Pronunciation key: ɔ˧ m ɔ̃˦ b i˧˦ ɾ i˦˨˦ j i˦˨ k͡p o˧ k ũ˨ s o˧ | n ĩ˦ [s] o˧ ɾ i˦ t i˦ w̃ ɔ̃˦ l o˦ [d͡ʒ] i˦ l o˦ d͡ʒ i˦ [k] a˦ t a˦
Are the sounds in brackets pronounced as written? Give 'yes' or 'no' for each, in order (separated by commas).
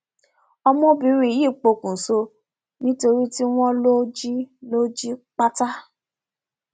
no, yes, no